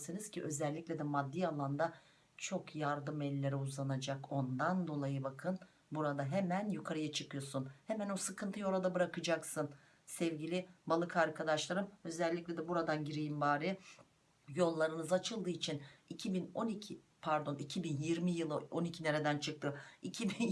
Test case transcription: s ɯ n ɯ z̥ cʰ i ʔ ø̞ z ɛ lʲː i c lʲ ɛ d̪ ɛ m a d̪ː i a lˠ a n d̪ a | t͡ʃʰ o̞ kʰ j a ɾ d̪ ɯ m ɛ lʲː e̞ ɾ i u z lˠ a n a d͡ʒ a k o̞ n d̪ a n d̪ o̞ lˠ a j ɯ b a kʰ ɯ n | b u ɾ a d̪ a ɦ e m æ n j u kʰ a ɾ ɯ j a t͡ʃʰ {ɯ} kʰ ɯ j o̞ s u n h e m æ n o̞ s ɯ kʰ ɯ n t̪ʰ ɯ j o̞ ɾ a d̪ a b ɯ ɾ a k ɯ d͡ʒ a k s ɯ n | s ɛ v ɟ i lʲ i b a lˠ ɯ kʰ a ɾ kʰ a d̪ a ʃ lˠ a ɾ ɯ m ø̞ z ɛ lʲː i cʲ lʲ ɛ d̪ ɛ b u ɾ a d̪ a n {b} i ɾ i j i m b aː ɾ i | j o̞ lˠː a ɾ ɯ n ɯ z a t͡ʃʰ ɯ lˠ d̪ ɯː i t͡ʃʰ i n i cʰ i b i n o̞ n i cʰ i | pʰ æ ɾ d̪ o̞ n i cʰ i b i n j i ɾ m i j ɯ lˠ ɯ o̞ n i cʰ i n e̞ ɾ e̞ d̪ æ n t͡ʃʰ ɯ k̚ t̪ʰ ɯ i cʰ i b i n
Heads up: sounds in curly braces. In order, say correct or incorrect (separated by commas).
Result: correct, incorrect